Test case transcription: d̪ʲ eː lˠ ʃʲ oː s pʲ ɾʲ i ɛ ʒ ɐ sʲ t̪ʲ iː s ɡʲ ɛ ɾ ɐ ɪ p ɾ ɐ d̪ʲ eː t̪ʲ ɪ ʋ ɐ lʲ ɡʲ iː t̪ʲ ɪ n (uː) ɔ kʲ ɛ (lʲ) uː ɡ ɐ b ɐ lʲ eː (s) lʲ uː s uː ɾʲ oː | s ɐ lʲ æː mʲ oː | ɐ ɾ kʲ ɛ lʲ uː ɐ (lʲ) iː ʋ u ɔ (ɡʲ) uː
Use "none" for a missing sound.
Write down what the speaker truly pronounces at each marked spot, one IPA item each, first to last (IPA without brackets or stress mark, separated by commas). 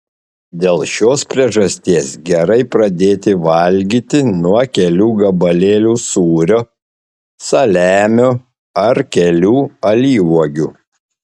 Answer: u, lʲ, none, lʲ, ɡʲ